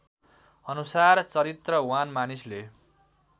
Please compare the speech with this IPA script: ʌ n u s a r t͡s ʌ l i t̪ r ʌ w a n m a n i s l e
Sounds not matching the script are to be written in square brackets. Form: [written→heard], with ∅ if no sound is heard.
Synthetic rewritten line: ʌ n u s a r t͡s ʌ [l→ɾ] i t̪ r ʌ w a n m a n i s l e